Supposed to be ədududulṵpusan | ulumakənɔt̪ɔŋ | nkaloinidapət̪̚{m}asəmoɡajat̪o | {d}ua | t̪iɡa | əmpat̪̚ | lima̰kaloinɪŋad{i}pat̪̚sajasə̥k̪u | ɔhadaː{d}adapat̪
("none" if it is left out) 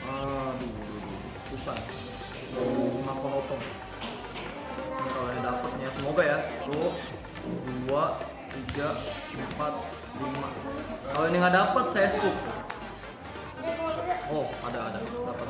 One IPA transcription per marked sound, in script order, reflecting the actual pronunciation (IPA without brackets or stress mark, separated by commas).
ɲ, d, a, d